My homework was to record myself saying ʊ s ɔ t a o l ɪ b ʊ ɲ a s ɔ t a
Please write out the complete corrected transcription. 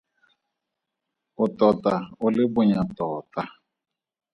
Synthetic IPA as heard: ʊ t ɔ t a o l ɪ b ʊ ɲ a t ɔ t a